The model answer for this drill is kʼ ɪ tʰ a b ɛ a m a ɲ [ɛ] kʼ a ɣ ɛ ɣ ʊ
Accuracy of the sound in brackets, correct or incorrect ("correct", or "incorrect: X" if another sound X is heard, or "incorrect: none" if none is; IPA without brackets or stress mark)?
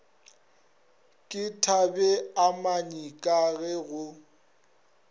incorrect: i